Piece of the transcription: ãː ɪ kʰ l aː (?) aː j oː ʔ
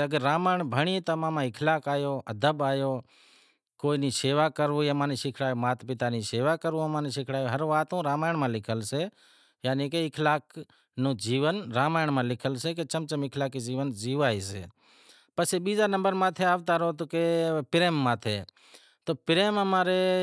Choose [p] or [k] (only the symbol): k